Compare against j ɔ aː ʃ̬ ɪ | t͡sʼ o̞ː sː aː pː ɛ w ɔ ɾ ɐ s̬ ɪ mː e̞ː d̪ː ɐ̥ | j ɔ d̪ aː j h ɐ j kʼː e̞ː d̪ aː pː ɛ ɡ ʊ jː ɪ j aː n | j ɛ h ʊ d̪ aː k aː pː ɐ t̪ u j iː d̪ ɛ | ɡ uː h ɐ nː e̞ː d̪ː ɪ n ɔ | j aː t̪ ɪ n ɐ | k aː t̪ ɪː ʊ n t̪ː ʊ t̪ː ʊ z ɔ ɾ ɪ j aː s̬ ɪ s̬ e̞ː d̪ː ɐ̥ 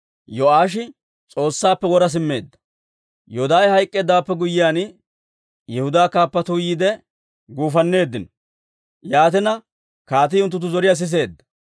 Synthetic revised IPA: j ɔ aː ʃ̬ ɪ | t͡sʼ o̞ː sː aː pː ɛ w ɔ ɾ ɐ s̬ ɪ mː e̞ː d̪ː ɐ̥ | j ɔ d̪ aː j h ɐ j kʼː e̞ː d̪ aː pː ɛ ɡ ʊ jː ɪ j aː n | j ɛ h ʊ d̪ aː k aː pː ɐ t̪ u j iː d̪ ɛ | ɡ uː f ɐ nː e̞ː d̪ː ɪ n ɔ | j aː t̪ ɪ n ɐ | k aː t̪ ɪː ʊ n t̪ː ʊ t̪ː ʊ z ɔ ɾ ɪ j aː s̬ ɪ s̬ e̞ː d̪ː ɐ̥